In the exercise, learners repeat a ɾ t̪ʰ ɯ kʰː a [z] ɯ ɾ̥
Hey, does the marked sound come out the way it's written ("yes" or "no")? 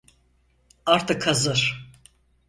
yes